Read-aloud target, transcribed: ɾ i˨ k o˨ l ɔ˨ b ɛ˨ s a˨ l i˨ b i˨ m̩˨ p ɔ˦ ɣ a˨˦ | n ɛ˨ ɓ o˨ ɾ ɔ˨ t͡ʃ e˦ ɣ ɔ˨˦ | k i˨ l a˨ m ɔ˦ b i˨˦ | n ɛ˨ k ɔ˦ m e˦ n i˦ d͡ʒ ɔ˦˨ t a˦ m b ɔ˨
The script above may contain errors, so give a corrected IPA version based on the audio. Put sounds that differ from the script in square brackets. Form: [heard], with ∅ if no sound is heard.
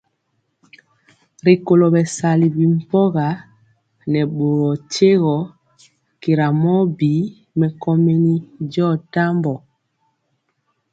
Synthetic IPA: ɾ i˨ k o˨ l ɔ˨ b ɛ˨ s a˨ l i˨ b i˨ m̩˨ p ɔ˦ ɣ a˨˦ | n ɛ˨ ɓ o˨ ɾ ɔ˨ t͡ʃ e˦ ɣ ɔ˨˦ | k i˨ [ɾ] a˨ m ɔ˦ b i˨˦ | [m] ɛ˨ k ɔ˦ m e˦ n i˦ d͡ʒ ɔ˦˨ t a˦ m b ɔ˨